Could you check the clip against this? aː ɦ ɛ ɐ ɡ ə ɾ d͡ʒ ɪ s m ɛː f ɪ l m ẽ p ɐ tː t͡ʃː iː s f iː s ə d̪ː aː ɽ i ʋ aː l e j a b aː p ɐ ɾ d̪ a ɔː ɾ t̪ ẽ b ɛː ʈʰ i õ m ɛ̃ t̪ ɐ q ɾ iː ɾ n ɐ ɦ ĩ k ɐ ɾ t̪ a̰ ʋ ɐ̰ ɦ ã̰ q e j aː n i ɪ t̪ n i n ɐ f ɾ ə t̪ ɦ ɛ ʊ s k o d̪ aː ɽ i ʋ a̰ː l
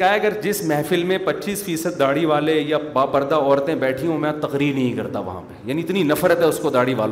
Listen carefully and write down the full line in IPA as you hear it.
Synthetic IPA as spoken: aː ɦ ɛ ɐ ɡ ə ɾ d͡ʒ ɪ s m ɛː f ɪ l m ẽ p ɐ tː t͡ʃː iː s f iː s ə d̪ː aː ɽ i ʋ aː l e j a b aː p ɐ ɾ d̪ a ɔː ɾ t̪ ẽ b ɛː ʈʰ i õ m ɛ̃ t̪ ɐ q ɾ iː ɾ n ɐ ɦ ĩ k ɐ ɾ t̪ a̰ ʋ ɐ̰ ɦ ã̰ p e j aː n i ɪ t̪ n i n ɐ f ɾ ə t̪ ɦ ɛ ʊ s k o d̪ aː ɽ i ʋ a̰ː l